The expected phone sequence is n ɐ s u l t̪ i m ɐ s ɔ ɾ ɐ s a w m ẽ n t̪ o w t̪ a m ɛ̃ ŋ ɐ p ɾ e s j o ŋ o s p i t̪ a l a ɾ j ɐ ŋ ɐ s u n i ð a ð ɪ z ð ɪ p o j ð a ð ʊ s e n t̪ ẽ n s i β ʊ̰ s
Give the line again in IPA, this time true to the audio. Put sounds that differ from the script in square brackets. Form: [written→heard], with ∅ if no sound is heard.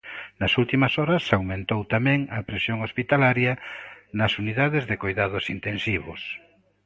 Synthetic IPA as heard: n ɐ s u l t̪ i m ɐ s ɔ ɾ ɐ s a w m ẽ n t̪ o w t̪ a m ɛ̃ ŋ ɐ p ɾ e s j o ŋ o s p i t̪ a l a ɾ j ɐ [ŋ→n] ɐ s u n i ð a ð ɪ z ð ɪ [p→k] o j ð a ð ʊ s [e→i] n t̪ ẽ n s i β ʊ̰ s